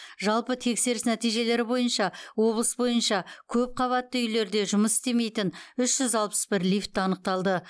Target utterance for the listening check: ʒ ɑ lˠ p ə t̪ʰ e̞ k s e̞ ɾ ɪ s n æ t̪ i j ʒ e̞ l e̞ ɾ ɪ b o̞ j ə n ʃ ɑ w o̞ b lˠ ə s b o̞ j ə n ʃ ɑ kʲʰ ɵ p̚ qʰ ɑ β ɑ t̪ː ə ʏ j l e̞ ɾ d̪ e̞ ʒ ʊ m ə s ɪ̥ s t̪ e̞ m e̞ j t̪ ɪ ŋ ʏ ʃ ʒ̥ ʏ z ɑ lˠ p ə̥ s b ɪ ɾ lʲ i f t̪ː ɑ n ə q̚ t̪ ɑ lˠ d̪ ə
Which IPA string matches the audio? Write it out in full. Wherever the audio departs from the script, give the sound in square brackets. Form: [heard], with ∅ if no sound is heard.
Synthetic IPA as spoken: ʒ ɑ lˠ p ə t̪ʰ e̞ k s e̞ ɾ ɪ s n æ t̪ i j ʒ e̞ l e̞ ɾ ɪ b o̞ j ə n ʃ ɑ w o̞ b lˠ ə s b o̞ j ə n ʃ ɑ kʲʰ ɵ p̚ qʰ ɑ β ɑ t̪ː ə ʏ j l e̞ ɾ d̪ e̞ ʒ ʊ m ə s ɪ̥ s t̪ e̞ m e̞ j t̪ ɪ [n] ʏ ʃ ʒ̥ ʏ z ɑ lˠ p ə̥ s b ɪ ɾ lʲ i f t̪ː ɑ n ə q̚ t̪ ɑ lˠ d̪ ə